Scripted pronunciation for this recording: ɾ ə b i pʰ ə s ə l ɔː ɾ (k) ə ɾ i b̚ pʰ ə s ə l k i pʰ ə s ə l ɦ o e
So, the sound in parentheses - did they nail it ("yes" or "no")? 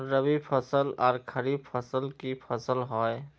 no